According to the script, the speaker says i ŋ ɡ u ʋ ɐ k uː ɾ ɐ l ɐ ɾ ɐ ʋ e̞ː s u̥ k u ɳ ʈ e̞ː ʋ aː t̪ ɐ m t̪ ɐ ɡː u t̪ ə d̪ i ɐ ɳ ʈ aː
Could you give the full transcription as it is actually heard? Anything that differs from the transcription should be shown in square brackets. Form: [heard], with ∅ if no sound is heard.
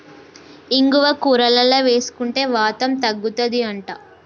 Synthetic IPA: i ŋ ɡ u ʋ ɐ k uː ɾ ɐ l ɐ [l] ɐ ʋ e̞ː s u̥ k u ɳ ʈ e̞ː ʋ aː t̪ ɐ m t̪ ɐ ɡː u t̪ [ɐ] d̪ i ɐ ɳ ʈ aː